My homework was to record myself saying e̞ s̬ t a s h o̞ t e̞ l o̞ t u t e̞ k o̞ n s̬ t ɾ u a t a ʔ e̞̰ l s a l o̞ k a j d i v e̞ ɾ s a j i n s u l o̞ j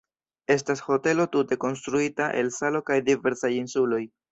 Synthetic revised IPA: e̞ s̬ t a s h o̞ t e̞ l o̞ t u t e̞ k o̞ n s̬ t ɾ u i t a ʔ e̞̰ l s a l o̞ k a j d i v e̞ ɾ s a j i n s u l o̞ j